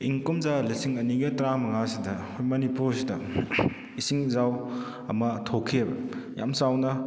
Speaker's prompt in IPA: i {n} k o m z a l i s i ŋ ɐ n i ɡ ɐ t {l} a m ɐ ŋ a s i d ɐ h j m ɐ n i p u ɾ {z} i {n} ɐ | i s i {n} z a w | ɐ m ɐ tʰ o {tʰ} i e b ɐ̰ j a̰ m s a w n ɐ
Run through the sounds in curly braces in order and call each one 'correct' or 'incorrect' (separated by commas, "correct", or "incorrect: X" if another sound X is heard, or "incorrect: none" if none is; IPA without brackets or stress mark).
incorrect: ŋ, incorrect: ɾ, incorrect: s, incorrect: d, incorrect: ŋ, incorrect: kʰ